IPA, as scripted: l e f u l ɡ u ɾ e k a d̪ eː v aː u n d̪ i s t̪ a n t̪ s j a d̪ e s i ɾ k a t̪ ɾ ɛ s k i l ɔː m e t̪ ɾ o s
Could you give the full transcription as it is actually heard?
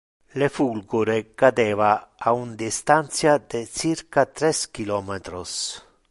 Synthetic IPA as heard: l e f u l ɡ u ɾ e k a d̪ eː v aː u n d̪ i s t̪ a n t̪ s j a d̪ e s i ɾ k a t̪ ɾ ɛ s k i l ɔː m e t̪ ɾ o s